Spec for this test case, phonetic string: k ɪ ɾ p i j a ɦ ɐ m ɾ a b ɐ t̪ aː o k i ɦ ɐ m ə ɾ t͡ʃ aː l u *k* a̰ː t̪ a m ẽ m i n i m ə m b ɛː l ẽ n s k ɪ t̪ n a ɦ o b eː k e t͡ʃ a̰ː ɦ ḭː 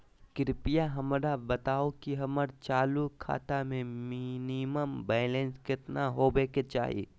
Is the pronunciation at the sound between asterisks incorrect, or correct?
incorrect